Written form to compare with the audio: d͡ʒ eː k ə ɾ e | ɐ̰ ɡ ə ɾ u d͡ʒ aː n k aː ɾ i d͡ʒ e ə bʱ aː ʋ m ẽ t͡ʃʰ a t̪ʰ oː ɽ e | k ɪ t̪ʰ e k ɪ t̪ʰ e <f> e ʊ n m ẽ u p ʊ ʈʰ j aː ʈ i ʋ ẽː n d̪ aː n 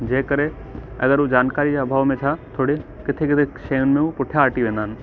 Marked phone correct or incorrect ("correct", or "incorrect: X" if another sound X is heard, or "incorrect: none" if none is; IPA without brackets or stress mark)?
incorrect: ʃ